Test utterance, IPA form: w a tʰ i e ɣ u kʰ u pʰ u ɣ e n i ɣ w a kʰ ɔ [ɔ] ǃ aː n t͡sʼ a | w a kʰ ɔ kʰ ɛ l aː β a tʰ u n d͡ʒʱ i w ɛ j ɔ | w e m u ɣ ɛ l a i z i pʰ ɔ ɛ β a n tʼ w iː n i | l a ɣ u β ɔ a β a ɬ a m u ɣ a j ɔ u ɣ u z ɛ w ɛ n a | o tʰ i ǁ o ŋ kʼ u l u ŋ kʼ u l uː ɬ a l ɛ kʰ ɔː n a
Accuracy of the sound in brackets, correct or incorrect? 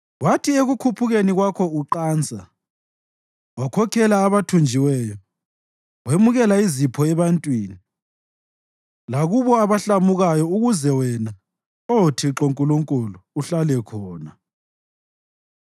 incorrect